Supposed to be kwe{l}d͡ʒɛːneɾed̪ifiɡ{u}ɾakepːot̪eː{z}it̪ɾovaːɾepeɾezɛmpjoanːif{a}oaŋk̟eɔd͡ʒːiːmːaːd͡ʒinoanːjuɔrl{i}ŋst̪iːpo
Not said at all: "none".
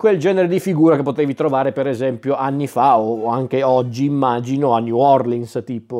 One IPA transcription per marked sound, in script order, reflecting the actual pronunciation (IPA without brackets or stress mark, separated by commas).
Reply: l, uː, v, a, i